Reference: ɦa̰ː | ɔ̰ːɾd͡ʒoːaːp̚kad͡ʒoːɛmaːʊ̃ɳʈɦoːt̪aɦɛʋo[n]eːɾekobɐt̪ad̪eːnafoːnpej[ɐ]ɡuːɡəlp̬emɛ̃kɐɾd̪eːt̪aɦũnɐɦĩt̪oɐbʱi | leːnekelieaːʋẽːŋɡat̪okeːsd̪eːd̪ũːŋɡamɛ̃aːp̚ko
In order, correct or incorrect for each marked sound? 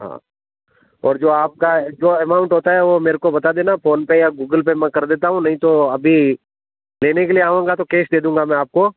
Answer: incorrect, incorrect

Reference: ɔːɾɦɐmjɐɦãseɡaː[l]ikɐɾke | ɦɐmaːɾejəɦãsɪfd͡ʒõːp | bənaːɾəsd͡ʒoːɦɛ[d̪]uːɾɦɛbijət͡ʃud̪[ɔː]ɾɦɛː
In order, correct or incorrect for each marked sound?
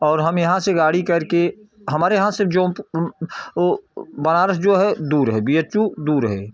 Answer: incorrect, correct, incorrect

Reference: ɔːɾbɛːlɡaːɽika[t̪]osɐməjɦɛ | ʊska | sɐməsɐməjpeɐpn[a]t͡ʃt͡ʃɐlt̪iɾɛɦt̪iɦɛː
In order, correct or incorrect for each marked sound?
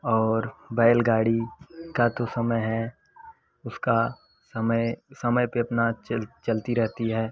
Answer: correct, correct

